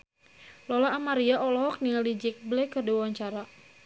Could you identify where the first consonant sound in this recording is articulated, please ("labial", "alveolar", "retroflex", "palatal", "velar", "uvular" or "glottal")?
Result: alveolar